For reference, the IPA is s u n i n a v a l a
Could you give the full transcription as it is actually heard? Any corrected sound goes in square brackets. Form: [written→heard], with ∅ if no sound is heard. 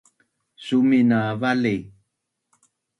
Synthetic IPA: s u [n→m] i n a v a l [a→i]